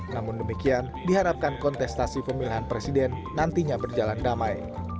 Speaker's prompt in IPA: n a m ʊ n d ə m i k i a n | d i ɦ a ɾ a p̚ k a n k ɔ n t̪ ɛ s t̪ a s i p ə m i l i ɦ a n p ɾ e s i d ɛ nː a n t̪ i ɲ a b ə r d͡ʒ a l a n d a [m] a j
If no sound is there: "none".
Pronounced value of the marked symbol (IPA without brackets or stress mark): m